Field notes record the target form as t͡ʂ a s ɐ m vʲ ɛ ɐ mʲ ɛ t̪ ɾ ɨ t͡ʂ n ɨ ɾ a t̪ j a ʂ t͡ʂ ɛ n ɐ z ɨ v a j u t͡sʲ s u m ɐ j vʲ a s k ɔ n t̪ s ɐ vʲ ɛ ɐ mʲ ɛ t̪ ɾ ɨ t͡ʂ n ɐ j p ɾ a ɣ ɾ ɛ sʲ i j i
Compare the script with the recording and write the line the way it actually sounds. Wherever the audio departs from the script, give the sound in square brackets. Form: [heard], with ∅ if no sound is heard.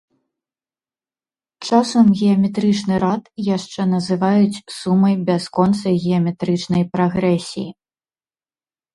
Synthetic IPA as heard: t͡ʂ a s ɐ m [ɣʲ] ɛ ɐ mʲ ɛ t̪ ɾ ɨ t͡ʂ n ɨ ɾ a t̪ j a ʂ t͡ʂ ɛ n ɐ z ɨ v a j u t͡sʲ s u m ɐ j [bʲ] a s k ɔ n t̪ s ɐ [ɣʲ] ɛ ɐ mʲ ɛ t̪ ɾ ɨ t͡ʂ n ɐ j p ɾ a ɣ ɾ ɛ sʲ i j i